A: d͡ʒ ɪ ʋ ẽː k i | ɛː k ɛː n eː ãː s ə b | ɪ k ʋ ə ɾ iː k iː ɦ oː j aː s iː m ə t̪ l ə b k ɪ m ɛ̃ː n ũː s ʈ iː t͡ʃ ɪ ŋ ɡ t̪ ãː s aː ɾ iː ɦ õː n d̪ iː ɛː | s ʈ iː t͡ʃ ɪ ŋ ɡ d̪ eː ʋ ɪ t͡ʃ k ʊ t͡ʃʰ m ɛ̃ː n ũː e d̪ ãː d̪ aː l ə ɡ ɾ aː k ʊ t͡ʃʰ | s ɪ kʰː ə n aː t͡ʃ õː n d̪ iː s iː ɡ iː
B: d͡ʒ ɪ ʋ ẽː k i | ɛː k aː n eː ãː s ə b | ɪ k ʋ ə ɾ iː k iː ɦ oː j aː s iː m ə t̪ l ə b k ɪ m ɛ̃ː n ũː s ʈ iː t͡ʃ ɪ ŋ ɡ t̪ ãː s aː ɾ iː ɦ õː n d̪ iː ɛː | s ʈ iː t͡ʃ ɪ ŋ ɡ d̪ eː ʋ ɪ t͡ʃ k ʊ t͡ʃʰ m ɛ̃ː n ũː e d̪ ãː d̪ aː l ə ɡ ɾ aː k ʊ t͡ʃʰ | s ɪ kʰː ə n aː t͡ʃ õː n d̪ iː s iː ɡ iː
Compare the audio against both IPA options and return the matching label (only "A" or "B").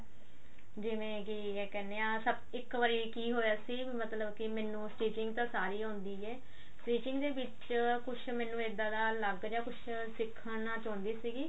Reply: A